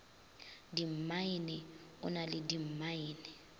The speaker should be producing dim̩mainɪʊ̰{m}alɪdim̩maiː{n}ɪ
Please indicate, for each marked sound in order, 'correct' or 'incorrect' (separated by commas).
incorrect, correct